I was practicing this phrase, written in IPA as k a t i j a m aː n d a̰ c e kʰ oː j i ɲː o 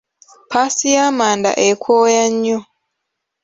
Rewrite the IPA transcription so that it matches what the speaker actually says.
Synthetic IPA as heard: p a s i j a m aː n d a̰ ʔ e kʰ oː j a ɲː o